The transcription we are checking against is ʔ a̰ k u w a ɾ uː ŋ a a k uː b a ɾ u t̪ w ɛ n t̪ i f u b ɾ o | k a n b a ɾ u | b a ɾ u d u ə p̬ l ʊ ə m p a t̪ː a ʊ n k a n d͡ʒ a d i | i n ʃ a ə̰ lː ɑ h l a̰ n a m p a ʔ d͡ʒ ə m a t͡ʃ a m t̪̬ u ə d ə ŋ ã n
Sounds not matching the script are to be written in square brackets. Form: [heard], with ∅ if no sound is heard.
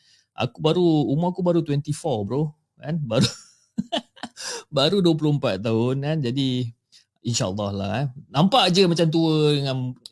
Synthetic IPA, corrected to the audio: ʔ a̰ k u [b] a ɾ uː [m] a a k [u] b a ɾ u t̪ w ɛ n t̪ i f [ɔ] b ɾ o | k a n b a ɾ u | b a ɾ u d u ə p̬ l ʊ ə m p a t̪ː a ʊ n k a n d͡ʒ a d i | i n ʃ a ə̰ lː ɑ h l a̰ n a m p a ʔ d͡ʒ ə m a t͡ʃ a m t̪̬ u ə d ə ŋ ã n